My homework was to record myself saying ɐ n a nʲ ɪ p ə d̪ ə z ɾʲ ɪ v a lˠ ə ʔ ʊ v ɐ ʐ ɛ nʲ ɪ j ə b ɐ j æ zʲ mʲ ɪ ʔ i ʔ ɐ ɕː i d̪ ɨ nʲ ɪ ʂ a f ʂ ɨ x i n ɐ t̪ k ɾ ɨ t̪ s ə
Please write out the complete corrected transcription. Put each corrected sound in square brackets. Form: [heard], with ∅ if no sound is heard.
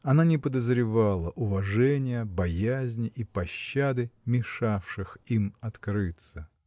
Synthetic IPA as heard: ɐ n a nʲ ɪ p ə d̪ ə z ɾʲ ɪ v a lˠ ə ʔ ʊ v ɐ ʐ ɛ nʲ ɪ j ə b ɐ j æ zʲ [nʲ] ɪ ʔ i [p] ɐ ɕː [a] d̪ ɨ [mʲ] ɪ ʂ a f ʂ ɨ x i [m] ɐ t̪ k ɾ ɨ t̪ s ə

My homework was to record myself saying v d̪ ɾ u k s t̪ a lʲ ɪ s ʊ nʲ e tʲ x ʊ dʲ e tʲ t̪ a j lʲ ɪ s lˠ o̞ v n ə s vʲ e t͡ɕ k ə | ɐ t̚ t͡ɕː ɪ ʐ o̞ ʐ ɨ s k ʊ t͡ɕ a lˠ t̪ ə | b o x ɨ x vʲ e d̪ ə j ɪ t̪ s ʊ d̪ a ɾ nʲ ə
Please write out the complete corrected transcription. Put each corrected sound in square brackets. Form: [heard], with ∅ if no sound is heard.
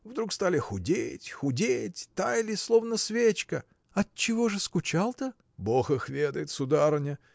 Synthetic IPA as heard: v d̪ ɾ u k s t̪ a lʲ ɪ [x] ʊ [dʲ] e tʲ x ʊ dʲ e tʲ t̪ a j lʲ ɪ s lˠ o̞ v n ə s vʲ e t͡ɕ k ə | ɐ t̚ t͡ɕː ɪ [v] o̞ ʐ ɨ s k ʊ t͡ɕ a lˠ t̪ ə | b o x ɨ x vʲ e d̪ ə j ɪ t̪ s ʊ d̪ a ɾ nʲ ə

